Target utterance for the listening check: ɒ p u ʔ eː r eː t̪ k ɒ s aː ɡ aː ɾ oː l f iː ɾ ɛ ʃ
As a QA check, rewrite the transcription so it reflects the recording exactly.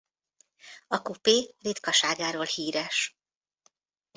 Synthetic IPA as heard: ɒ k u p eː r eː t̪ k ɒ ʃ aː ɡ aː ɾ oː l h iː ɾ ɛ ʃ